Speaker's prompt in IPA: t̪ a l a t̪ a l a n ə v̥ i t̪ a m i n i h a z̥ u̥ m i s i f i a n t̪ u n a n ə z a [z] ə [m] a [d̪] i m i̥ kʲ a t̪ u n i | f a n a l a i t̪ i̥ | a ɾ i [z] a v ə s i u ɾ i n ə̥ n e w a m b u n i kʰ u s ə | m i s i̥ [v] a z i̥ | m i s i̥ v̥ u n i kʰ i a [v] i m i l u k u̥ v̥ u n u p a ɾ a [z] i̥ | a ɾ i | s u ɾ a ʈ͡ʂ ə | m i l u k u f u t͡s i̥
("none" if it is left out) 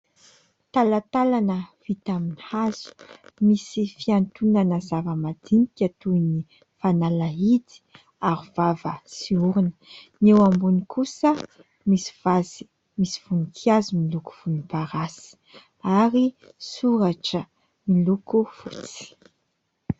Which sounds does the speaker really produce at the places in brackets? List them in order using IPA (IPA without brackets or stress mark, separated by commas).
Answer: v, m, d̪, v, v, z, s